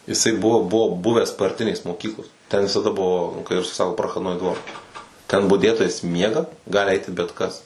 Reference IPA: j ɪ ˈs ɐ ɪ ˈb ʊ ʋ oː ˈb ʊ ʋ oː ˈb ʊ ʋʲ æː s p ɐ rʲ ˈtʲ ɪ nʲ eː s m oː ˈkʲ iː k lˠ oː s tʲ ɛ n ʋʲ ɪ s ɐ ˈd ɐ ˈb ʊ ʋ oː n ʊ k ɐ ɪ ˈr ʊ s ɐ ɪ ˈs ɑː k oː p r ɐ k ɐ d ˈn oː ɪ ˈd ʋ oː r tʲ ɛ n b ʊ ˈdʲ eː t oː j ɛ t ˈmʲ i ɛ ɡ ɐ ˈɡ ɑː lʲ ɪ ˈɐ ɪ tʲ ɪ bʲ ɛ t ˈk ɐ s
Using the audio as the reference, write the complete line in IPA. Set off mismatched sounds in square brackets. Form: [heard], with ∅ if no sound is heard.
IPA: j ɪ ˈs ɐ ɪ ˈb ʊ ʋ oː ˈb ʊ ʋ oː ˈb ʊ ʋʲ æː s p ɐ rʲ ˈtʲ ɪ nʲ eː s m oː ˈkʲ iː k lˠ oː s tʲ ɛ n ʋʲ ɪ s ɐ ˈd ɐ ˈb ʊ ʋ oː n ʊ k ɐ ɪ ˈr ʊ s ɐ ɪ ˈs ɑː k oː p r ɐ [x] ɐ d ˈn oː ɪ ˈd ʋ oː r tʲ ɛ n b ʊ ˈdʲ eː t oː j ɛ [s] ˈmʲ i ɛ ɡ ɐ ˈɡ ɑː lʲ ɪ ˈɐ ɪ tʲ ɪ bʲ ɛ t ˈk ɐ s